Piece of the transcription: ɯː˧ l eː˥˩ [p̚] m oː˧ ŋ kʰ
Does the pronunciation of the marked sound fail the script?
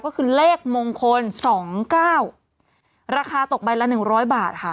yes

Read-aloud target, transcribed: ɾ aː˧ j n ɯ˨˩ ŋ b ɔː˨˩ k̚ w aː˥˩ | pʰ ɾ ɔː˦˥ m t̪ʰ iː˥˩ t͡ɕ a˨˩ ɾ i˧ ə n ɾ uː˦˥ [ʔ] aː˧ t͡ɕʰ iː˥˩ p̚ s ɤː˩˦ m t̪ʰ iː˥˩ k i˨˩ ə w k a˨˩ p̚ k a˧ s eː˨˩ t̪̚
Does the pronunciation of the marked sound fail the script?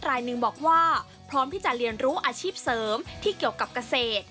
no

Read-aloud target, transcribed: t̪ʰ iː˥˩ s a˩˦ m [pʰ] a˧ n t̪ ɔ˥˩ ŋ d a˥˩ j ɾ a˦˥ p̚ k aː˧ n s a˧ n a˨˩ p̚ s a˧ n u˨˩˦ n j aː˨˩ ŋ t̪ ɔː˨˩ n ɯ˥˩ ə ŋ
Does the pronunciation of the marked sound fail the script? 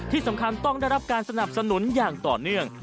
yes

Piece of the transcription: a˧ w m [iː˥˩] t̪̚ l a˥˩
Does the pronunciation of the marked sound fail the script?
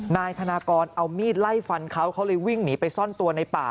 no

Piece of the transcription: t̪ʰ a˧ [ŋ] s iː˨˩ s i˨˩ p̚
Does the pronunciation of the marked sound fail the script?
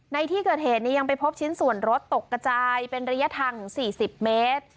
no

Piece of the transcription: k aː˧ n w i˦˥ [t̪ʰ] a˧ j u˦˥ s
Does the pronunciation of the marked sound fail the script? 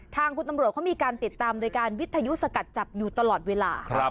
no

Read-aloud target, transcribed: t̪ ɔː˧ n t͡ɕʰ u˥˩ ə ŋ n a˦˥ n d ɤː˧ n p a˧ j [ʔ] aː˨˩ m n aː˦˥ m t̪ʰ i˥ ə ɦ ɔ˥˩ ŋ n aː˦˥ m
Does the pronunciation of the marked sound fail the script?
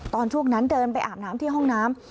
no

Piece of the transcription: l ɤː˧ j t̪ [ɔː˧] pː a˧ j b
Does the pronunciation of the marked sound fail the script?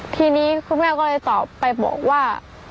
yes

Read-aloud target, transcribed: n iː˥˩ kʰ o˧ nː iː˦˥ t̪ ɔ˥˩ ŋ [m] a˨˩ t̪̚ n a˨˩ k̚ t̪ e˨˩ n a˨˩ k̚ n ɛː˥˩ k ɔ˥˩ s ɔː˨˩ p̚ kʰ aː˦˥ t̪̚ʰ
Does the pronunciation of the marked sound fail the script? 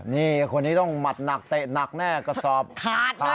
no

